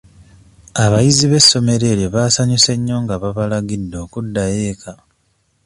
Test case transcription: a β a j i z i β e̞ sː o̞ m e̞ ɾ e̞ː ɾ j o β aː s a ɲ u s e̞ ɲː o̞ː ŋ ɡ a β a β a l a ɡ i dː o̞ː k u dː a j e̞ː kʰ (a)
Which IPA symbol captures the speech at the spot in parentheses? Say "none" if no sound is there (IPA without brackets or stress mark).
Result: a